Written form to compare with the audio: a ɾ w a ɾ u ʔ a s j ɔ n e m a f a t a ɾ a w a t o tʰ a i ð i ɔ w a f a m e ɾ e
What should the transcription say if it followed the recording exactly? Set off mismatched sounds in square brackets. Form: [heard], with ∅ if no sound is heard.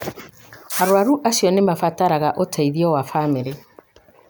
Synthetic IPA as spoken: a ɾ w a ɾ u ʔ a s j ɔ n e m a f a t a ɾ a [ɣ] a [ʔ] o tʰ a i ð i ɔ w a f a m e ɾ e